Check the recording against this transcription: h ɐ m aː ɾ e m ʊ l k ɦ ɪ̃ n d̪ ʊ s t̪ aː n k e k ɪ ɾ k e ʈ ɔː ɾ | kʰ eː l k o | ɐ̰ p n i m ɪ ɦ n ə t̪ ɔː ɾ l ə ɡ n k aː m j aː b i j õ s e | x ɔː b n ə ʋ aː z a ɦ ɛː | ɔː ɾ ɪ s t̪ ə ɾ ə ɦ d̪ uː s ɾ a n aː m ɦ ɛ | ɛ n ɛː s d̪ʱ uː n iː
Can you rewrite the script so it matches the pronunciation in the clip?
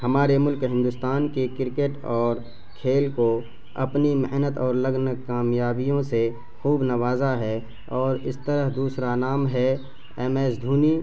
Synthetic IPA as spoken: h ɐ m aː ɾ e m ʊ l k ɦ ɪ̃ n d̪ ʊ s t̪ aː n k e k ɪ ɾ k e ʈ ɔː ɾ | kʰ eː l k o | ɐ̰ p n i m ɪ ɦ n ə t̪ ɔː ɾ l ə ɡ n k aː m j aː b i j õ s e | x uː b n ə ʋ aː z a ɦ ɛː | ɔː ɾ ɪ s t̪ ə ɾ ə ɦ d̪ uː s ɾ a n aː m ɦ ɛ | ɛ m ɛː s d̪ʱ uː n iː